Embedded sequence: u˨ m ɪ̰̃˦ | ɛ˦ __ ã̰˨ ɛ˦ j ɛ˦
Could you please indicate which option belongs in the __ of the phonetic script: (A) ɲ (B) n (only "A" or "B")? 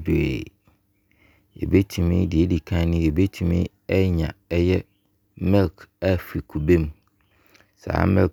A